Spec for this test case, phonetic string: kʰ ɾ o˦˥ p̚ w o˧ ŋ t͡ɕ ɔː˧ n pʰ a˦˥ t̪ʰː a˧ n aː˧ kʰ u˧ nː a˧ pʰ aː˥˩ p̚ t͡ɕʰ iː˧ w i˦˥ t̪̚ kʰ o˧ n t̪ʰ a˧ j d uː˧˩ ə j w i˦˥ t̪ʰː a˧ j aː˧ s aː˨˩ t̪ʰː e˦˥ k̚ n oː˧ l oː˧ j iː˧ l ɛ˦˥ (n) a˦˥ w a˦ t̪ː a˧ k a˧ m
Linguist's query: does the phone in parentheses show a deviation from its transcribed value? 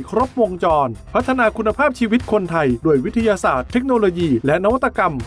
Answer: no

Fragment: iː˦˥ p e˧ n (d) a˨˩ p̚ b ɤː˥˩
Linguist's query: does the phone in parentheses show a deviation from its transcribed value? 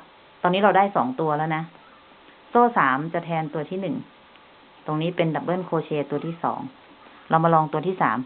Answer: no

